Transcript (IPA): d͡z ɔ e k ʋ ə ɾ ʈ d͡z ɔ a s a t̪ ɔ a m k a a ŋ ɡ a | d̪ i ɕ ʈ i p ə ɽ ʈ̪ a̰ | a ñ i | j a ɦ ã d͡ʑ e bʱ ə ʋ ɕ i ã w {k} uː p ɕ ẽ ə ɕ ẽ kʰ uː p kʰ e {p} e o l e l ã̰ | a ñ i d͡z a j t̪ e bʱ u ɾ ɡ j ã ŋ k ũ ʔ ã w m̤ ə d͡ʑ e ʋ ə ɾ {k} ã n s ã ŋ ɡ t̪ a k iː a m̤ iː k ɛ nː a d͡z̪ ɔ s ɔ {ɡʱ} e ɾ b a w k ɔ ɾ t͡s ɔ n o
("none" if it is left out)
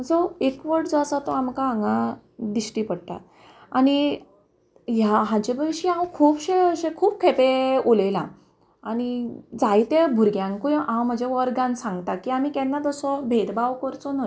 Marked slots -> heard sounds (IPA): kʰ, p, ɡ, bʱ

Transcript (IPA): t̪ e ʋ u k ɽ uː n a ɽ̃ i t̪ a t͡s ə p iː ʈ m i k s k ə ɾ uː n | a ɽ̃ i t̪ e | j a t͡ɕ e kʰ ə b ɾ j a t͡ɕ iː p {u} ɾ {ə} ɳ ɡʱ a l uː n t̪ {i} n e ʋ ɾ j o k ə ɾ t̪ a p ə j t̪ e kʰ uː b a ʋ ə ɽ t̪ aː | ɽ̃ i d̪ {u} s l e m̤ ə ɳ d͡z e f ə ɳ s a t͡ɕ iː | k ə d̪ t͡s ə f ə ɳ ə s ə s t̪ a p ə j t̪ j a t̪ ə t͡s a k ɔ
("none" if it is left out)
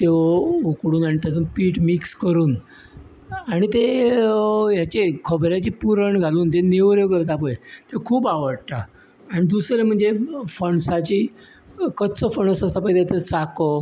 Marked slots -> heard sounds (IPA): u, ə, e, u

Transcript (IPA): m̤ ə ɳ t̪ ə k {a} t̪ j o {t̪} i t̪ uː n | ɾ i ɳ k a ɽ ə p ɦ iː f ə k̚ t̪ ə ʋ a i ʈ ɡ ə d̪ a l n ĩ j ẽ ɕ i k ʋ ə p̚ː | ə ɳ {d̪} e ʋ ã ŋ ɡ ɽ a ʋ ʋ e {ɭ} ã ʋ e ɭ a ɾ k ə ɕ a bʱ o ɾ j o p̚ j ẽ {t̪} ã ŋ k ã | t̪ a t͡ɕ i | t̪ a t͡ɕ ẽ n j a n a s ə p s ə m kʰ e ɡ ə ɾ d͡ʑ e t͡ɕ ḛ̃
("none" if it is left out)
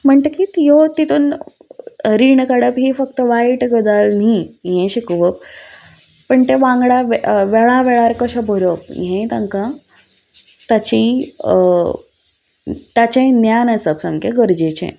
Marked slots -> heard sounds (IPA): i, t̪, t̪, ɭ, t̪

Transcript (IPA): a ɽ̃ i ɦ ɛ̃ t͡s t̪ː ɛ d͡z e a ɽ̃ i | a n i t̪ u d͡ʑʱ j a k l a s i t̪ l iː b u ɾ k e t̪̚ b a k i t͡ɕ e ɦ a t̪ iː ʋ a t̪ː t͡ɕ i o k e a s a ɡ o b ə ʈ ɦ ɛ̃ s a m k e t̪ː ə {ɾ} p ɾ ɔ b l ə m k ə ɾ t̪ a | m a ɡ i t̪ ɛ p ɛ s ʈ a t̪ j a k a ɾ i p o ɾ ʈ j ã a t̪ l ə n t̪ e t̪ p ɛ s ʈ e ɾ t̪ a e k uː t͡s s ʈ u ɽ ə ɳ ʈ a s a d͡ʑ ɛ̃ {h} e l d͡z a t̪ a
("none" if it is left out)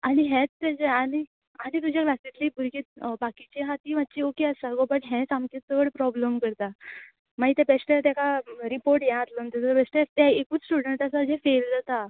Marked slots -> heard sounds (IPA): ɽ, f

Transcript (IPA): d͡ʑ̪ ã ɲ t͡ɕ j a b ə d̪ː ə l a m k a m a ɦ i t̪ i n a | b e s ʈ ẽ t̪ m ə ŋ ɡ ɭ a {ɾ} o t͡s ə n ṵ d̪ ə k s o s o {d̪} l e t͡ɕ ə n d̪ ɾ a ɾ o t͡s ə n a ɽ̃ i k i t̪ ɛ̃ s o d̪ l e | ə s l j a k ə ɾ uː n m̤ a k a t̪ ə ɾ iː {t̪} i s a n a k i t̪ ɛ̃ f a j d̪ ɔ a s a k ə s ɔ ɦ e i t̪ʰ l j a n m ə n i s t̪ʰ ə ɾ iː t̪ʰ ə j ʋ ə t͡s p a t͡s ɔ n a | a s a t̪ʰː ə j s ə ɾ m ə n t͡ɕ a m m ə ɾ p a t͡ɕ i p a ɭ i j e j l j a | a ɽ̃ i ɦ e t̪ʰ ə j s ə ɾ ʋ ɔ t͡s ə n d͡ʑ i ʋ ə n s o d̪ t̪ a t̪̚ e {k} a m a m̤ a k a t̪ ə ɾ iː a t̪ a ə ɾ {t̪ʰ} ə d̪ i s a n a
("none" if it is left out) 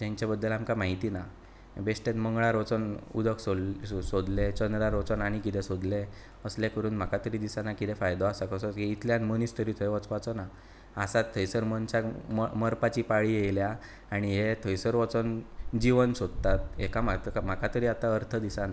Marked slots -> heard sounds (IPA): ɾ, d̪, d̪, k, t̪ʰ

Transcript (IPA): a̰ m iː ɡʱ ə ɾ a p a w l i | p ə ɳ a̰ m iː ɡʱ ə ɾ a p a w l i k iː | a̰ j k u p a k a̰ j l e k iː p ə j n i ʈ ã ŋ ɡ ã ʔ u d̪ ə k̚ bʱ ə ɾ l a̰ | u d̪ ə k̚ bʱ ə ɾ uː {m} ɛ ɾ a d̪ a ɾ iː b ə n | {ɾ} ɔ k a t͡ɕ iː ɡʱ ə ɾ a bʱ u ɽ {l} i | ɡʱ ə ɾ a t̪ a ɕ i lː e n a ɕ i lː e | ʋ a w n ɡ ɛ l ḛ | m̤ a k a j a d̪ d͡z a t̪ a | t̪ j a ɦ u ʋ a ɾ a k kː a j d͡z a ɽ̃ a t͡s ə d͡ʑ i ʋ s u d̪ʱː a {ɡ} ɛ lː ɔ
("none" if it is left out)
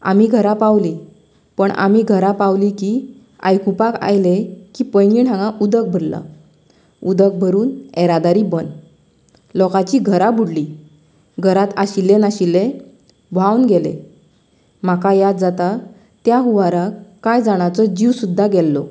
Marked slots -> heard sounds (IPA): n, l, l, ɡ

